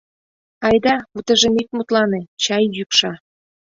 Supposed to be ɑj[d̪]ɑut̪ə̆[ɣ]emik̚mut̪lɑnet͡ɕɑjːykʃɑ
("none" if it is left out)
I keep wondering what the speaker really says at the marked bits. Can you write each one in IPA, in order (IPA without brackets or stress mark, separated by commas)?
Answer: d̪, ʒ